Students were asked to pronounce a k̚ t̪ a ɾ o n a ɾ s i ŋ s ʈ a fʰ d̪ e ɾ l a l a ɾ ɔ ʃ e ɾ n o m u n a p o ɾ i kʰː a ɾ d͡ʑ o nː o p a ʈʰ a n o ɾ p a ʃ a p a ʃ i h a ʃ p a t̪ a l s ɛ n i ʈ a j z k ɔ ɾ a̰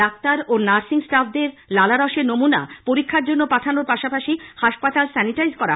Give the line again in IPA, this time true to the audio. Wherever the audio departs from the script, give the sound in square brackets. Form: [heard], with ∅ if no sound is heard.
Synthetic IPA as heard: a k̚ t̪ a ɾ o n a ɾ s i ŋ s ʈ a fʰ d̪ e ɾ l a l a ɾ ɔ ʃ e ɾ n o m u n a p o ɾ i kʰː a ɾ d͡ʑ o nː o p a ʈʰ a n o ɾ p a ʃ a p a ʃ i h a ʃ p a t̪ a l s ɛ n i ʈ a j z k ɔ ɾ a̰